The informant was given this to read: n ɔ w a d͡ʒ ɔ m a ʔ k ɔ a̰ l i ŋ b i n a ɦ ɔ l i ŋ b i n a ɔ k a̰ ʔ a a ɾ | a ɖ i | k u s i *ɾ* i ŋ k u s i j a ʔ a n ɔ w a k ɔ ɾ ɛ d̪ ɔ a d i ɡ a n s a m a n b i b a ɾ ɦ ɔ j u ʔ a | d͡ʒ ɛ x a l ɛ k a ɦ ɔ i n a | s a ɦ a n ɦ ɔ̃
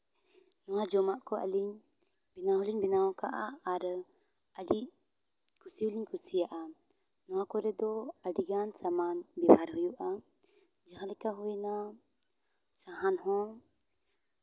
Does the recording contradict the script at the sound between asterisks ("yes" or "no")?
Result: yes